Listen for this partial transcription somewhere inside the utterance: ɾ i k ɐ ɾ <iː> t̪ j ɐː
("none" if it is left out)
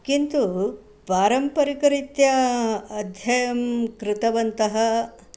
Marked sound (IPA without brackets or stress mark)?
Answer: i